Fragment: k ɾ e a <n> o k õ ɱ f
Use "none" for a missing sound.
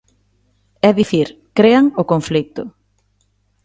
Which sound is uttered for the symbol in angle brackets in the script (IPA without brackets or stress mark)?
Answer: ŋ